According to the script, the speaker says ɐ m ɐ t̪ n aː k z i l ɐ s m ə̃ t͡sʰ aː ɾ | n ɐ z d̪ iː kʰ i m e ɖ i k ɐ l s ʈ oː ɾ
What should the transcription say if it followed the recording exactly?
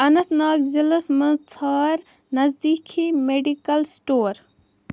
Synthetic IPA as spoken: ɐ n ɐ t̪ n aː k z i l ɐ s m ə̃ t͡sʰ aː ɾ | n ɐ z d̪ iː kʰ i m e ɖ i k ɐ l s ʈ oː ɾ